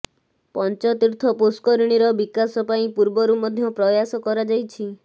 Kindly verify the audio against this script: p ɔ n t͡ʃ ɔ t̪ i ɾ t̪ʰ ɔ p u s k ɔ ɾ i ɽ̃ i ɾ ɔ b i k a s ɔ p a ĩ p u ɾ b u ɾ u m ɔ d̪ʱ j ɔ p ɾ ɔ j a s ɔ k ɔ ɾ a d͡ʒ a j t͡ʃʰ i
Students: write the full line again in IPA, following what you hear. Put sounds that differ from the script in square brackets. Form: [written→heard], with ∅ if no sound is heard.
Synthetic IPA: p ɔ n t͡ʃ ɔ t̪ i ɾ t̪ʰ ɔ p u s k ɔ ɾ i ɽ̃ i ɾ ɔ b i k a s ɔ p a ĩ p u ɾ b [u→ɔ] ɾ u m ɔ d̪ʱ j ɔ p ɾ ɔ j a s ɔ k ɔ ɾ a d͡ʒ a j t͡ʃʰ i